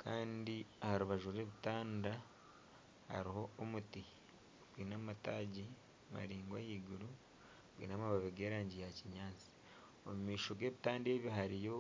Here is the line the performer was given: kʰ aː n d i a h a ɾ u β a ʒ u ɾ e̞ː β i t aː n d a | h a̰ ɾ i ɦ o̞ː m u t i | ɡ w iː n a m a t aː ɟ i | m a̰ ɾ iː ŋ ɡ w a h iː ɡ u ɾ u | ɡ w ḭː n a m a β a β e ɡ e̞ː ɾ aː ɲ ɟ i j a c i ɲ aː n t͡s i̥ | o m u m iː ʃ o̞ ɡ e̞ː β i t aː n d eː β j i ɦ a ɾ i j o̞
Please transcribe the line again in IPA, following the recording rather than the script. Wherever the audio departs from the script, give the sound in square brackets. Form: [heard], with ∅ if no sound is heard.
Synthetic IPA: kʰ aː n d i a h a ɾ u β a ʒ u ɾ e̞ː β i t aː n d a | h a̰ ɾ i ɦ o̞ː m u t i | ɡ w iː n a m a t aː ɟ i | m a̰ ɾ iː ŋ ɡ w a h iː ɡ u ɾ u | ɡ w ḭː n a m a β a β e ɡ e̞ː ɾ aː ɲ ɟ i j a c i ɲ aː n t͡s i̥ | o m u m iː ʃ o̞ ɡ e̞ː β i t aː n d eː β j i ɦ a ɾ i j o̞